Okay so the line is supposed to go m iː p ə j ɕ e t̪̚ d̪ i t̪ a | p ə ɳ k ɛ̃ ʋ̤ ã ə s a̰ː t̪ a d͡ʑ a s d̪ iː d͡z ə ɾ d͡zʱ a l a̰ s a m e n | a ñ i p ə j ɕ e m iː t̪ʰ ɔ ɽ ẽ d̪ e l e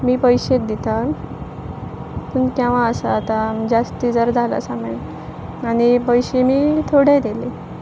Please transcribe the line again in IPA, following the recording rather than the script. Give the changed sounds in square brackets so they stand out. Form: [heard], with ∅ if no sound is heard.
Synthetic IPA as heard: m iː p ə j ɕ e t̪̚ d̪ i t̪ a | p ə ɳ k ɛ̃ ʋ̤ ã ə s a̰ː t̪ a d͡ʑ a s [t̪] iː d͡z ə ɾ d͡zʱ a l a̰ s a m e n | a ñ i p ə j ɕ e m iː t̪ʰ [o] ɽ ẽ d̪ e l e